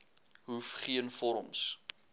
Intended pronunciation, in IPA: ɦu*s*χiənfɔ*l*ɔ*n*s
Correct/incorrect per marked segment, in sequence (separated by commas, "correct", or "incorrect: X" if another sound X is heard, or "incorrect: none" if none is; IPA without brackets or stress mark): incorrect: f, incorrect: ɾ, incorrect: m